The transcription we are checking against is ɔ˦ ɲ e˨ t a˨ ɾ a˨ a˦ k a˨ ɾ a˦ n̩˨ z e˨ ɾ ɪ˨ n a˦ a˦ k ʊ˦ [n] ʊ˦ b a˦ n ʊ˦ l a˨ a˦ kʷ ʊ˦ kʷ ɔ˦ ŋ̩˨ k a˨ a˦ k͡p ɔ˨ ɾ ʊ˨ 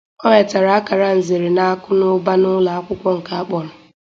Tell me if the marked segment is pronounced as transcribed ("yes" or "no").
yes